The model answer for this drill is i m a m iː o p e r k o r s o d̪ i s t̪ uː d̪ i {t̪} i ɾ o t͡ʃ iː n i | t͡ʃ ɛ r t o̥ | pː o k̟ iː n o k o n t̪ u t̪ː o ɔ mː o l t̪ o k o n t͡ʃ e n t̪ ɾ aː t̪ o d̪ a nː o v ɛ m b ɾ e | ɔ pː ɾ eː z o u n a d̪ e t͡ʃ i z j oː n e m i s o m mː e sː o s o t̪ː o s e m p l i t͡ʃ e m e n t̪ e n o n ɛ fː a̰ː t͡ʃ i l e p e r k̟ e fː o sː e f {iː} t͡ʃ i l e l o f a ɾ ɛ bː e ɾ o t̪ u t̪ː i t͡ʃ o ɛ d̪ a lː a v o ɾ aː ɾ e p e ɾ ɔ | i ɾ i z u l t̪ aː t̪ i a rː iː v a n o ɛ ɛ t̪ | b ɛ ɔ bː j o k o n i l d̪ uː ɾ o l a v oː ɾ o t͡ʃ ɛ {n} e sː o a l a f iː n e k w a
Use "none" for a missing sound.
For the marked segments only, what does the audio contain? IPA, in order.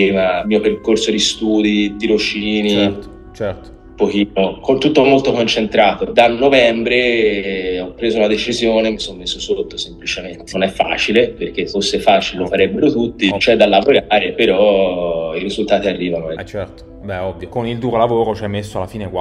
d̪, aː, m

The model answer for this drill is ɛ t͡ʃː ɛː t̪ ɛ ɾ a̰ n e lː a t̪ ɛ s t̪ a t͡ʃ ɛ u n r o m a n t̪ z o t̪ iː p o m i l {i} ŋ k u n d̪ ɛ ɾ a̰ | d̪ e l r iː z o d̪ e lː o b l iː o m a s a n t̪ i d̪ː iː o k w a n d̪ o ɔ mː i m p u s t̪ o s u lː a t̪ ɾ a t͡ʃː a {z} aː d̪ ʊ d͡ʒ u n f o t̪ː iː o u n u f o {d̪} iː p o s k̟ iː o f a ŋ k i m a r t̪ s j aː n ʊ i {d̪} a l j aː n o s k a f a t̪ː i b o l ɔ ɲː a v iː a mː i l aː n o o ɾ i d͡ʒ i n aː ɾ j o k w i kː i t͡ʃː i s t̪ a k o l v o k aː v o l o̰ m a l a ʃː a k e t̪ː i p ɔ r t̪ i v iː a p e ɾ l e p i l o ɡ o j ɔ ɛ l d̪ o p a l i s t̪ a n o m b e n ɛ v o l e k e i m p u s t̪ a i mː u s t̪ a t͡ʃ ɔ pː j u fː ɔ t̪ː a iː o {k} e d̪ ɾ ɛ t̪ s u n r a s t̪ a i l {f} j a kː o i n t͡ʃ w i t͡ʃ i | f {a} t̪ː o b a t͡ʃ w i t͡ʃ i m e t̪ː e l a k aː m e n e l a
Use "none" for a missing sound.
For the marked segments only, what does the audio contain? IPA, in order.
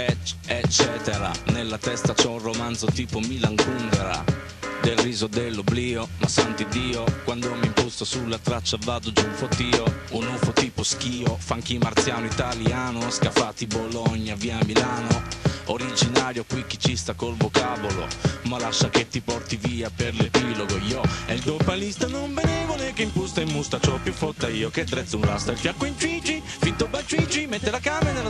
a, v, t̪, t̪, k, f, i

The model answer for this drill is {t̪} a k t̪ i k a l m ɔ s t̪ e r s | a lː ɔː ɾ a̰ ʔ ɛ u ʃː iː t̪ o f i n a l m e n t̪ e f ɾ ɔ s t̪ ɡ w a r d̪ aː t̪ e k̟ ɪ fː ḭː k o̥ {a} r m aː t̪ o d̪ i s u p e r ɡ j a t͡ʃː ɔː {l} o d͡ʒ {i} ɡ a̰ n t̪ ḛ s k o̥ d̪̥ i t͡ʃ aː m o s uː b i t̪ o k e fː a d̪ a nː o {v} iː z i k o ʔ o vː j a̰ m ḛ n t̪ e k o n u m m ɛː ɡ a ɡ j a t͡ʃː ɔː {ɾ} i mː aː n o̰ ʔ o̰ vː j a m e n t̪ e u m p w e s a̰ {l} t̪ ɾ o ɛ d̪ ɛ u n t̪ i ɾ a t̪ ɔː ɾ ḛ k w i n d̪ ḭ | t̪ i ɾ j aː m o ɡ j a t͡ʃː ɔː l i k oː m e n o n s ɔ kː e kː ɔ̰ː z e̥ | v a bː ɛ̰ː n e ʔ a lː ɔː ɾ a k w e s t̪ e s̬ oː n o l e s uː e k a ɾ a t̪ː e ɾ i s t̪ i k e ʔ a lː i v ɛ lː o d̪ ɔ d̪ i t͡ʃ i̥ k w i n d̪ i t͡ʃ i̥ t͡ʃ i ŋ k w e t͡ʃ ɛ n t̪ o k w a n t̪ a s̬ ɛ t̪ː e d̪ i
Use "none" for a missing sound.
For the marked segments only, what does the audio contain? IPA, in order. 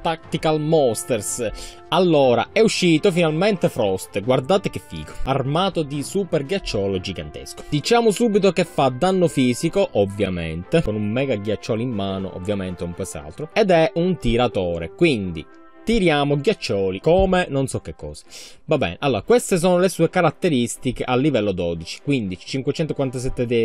t̪, a, l, i, f, l, l

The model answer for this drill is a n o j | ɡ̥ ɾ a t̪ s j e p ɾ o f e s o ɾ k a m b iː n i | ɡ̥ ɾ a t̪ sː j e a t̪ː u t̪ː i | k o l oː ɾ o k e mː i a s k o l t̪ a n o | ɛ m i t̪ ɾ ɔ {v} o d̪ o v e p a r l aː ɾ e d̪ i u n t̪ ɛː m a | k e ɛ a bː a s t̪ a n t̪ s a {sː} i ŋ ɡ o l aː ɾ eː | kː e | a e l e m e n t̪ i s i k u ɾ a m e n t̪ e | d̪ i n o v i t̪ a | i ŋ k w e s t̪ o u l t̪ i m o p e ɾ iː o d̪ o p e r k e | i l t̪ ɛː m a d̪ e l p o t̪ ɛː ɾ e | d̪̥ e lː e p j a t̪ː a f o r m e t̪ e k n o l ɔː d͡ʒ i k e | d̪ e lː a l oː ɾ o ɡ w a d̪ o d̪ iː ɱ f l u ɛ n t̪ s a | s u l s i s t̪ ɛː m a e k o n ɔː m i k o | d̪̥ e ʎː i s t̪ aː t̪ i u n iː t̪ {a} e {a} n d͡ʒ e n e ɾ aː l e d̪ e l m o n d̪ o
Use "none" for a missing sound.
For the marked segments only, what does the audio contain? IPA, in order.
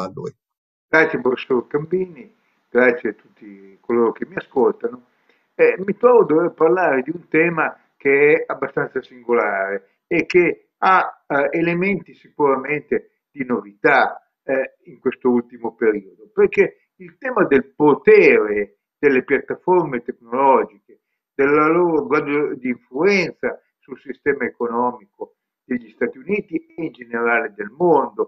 v, s, i, i

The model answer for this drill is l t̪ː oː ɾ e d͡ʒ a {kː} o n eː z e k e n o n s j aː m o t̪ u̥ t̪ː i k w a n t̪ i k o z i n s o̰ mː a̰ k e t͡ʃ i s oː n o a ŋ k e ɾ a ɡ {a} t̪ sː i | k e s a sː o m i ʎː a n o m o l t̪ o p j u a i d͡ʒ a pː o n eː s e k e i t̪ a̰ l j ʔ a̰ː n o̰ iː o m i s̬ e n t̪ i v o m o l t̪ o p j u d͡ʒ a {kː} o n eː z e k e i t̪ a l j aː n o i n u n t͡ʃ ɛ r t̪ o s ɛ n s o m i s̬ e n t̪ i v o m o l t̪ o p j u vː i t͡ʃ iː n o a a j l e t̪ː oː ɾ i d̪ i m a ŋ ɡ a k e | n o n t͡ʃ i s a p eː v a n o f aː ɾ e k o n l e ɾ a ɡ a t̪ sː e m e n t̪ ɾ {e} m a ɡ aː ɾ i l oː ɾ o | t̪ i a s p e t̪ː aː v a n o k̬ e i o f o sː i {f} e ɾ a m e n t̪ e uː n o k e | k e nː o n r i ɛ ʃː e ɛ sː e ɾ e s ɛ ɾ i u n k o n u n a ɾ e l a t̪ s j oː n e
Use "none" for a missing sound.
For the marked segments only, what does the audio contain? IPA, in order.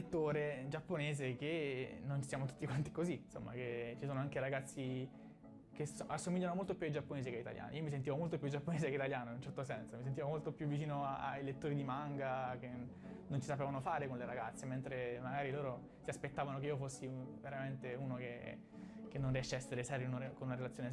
pː, a, pː, e, v

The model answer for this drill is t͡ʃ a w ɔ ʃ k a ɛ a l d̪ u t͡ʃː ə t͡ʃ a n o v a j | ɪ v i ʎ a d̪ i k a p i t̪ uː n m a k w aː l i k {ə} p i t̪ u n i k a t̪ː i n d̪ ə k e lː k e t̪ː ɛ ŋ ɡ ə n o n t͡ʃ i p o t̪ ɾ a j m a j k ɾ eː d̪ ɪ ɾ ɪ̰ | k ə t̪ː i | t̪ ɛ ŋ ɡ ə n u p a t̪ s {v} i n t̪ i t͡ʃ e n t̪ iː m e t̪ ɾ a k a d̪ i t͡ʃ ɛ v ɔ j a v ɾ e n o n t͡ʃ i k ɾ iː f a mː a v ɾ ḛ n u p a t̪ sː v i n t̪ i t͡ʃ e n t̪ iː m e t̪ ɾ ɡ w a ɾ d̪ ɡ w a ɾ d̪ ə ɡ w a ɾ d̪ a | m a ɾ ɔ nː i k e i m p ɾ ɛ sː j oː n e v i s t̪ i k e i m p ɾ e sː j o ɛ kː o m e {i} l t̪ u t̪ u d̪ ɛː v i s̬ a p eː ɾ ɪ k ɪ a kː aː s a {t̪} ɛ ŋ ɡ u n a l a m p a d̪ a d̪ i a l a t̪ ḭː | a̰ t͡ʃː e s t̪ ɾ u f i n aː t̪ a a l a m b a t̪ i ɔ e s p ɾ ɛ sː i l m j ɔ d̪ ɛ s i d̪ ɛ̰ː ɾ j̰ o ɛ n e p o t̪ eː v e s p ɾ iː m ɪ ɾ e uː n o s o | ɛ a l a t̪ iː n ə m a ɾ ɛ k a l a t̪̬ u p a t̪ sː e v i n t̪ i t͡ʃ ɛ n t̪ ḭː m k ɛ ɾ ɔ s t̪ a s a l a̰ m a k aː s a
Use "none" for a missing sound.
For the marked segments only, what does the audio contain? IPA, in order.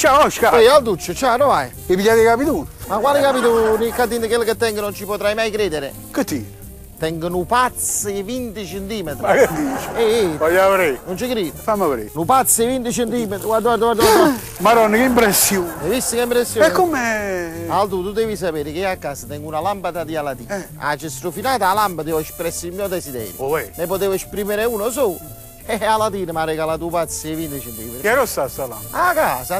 a, v, a, t̪

